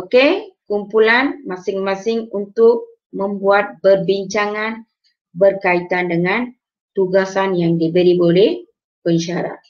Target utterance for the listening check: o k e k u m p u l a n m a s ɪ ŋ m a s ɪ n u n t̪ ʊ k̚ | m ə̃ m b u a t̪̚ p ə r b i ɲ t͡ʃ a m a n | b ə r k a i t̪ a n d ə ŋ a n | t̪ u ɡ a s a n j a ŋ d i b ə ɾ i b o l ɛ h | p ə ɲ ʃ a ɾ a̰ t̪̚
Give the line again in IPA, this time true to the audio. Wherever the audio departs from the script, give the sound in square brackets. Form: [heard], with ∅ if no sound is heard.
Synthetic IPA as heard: o k e k u m p u l a n m a s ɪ ŋ m a s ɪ [ŋ] u n t̪ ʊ k̚ | m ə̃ m b u a t̪̚ [b] ə r b i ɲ t͡ʃ a [ŋ] a n | b ə r k a i t̪ a n d ə ŋ a n | t̪ u ɡ a s a n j a ŋ d i b ə ɾ i b o l ɛ h | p ə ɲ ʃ a ɾ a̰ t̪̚